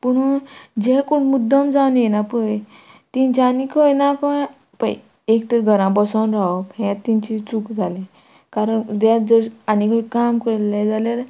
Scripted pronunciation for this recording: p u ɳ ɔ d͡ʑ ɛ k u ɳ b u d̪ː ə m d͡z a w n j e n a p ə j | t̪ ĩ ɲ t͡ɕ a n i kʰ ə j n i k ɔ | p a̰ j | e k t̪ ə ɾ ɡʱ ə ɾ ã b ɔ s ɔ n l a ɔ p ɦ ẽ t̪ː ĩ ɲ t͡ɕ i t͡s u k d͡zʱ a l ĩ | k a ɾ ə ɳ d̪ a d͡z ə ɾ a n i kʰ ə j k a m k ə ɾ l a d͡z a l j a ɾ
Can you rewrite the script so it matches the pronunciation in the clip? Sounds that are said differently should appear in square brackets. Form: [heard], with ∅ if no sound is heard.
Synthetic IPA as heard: p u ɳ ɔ d͡ʑ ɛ k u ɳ [m] u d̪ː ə m d͡z a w n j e n a p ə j | t̪ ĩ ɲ t͡ɕ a n i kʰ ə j n [a] k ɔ | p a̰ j | e k t̪ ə ɾ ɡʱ ə ɾ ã b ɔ s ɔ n [ɾ] a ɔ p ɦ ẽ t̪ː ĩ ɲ t͡ɕ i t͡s u k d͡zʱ a l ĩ | k a ɾ ə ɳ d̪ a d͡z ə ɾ a n i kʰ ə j k a m k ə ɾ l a d͡z a l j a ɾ